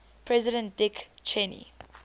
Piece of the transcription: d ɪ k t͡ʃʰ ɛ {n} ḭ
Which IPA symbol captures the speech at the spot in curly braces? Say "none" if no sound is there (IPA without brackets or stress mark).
n